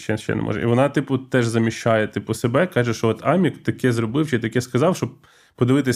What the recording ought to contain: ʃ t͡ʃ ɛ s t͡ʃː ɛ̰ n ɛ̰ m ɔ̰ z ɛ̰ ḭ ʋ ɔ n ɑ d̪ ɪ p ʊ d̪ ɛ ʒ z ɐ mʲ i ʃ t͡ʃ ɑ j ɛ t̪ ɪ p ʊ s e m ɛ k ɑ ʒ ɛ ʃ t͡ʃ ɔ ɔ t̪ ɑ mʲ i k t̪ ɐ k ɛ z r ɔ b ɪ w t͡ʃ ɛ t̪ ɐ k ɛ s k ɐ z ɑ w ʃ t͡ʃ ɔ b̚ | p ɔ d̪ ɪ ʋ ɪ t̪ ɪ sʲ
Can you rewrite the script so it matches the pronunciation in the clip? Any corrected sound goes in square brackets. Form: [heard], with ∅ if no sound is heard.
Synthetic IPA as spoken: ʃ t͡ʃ ɛ [ʃ] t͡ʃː ɛ̰ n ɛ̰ m ɔ̰ [ʒ] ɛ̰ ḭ ʋ ɔ n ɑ [t̪] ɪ p ʊ [t̪] ɛ ʒ z ɐ mʲ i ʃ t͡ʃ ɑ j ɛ t̪ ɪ p ʊ s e [b] ɛ k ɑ ʒ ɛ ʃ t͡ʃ ɔ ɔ t̪ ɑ mʲ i k t̪ ɐ k ɛ z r ɔ b ɪ w t͡ʃ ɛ t̪ ɐ k ɛ s k ɐ z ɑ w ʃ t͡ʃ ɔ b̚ | p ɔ d̪ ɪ ʋ ɪ t̪ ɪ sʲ